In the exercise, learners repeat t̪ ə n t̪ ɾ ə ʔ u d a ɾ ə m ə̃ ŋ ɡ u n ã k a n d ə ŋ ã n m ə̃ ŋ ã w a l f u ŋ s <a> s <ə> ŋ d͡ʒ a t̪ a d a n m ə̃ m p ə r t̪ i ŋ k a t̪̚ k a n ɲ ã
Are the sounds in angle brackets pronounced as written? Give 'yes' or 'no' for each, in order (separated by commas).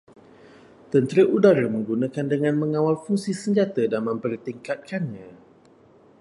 no, yes